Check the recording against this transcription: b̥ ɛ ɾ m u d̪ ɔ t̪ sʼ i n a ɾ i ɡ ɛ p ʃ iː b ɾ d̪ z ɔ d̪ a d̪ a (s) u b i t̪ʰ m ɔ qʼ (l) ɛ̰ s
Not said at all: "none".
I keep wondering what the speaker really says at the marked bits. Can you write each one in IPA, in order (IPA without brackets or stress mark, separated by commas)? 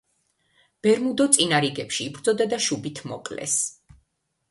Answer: ʃ, l